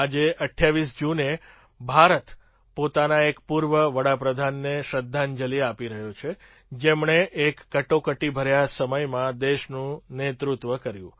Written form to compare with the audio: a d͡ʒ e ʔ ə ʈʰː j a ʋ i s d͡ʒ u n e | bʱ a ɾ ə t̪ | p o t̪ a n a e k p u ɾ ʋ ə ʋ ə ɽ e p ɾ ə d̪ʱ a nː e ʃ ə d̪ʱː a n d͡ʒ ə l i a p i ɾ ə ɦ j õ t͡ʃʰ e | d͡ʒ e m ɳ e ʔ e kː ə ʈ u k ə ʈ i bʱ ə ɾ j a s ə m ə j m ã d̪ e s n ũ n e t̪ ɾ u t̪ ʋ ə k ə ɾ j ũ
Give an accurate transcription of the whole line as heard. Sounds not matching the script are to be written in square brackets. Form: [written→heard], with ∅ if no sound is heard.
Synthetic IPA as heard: a d͡ʒ e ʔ ə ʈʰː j a ʋ i s d͡ʒ u n e | bʱ a ɾ ə t̪ | p o t̪ a n a e k p u ɾ ʋ ə ʋ ə ɽ [e→a] p ɾ ə d̪ʱ a nː e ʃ ə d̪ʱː a n d͡ʒ ə l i a p i ɾ ə ɦ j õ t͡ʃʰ e | d͡ʒ e m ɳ e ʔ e kː ə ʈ [u→o] k ə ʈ i bʱ ə ɾ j a s ə m ə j m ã d̪ e [s→ʃ] n ũ n e t̪ ɾ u t̪ ʋ ə k ə ɾ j ũ